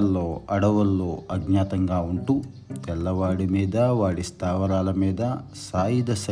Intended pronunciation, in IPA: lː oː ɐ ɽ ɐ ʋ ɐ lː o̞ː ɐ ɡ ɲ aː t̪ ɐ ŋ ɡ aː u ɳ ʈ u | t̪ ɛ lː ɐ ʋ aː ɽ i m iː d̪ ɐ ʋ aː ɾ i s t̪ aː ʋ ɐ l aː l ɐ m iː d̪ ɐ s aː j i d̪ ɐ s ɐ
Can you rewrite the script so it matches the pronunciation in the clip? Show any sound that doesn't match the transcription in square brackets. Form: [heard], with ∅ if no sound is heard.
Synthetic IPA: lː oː ɐ ɽ ɐ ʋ ɐ lː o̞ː ɐ ɡ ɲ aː t̪ ɐ ŋ ɡ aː u ɳ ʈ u | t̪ ɛ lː ɐ ʋ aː ɽ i m iː d̪ ɐ ʋ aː [ɽ] i s t̪ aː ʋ ɐ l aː l ɐ m iː d̪ ɐ s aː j i d̪ ɐ s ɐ